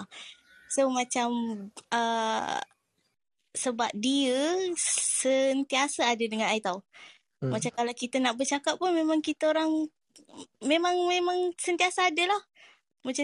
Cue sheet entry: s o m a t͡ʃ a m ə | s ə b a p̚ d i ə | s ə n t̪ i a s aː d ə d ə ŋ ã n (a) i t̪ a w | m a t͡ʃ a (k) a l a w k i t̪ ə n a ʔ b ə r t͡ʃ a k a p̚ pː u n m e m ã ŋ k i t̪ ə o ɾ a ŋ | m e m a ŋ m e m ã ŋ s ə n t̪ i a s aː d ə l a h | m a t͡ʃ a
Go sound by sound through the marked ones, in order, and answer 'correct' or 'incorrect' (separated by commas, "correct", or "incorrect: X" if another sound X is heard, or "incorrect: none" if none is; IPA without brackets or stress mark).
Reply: correct, correct